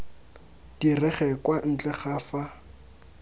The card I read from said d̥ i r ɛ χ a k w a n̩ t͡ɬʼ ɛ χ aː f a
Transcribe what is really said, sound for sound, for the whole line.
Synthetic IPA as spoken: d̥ i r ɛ χ ɛ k w a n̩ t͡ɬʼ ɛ χ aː f a